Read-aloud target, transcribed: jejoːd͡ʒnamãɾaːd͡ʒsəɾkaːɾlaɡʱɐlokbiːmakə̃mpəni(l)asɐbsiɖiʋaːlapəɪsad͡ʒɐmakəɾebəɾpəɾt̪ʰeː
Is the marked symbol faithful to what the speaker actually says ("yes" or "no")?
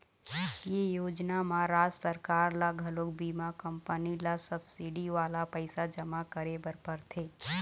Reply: yes